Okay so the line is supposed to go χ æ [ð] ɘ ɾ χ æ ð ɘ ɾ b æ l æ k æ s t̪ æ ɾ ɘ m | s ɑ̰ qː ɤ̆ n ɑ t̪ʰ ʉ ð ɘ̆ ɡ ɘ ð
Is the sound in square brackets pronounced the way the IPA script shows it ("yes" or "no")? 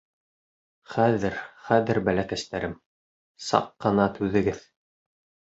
yes